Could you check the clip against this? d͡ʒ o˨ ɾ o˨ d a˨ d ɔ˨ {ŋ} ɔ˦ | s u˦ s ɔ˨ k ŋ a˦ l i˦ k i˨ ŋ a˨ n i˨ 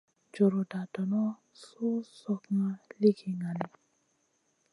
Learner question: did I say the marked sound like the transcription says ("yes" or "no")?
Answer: no